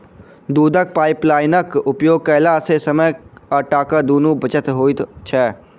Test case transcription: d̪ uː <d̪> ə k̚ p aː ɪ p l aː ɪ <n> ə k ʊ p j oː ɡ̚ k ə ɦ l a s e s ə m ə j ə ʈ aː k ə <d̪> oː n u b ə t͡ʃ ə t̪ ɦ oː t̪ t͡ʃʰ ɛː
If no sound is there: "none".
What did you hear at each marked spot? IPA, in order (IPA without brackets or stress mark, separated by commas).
d̪, n, d̪